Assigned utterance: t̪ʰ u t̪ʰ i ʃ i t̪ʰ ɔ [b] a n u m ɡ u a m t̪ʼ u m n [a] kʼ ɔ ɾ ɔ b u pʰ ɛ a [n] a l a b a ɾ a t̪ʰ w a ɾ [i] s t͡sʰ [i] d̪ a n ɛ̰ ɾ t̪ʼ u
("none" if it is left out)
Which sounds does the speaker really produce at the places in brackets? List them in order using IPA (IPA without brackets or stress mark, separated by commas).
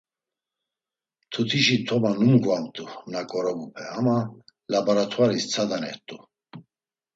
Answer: m, a, m, i, a